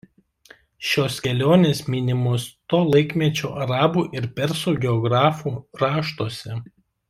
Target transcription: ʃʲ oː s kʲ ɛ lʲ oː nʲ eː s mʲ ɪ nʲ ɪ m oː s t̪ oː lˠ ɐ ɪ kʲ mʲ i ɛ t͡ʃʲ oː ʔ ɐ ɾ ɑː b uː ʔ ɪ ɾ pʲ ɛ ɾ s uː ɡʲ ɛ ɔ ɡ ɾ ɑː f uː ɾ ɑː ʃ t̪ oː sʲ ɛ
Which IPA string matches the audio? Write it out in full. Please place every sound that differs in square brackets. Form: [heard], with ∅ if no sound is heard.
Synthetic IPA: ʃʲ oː s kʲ ɛ lʲ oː nʲ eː s mʲ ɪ nʲ ɪ m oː s t̪ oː lˠ ɐ ɪ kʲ mʲ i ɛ t͡ʃʲ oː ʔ ɐ ɾ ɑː b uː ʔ ɪ ɾ pʲ ɛ ɾ s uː ɡʲ ɛ ɔ ɡ ɾ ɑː f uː ɾ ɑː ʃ t̪ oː sʲ ɛ